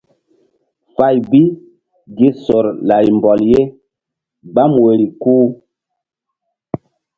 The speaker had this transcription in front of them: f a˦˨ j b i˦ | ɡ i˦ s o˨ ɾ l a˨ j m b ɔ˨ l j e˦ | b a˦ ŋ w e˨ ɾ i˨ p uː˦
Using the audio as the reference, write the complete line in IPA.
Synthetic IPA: f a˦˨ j b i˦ | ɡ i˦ s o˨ ɾ l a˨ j m b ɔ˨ l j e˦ | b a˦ m w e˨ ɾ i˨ k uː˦